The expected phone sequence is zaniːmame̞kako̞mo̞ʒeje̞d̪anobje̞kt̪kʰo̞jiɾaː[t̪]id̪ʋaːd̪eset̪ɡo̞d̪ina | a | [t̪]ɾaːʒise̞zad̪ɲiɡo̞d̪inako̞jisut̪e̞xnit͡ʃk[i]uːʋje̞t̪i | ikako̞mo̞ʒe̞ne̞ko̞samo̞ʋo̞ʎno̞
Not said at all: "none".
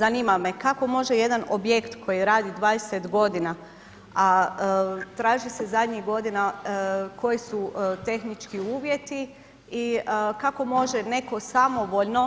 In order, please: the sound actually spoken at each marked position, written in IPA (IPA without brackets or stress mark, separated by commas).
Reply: d̪, t̪, i